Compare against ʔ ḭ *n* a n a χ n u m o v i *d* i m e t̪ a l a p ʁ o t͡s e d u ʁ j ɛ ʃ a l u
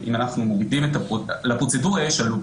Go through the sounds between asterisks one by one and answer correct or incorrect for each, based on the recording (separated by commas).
incorrect, correct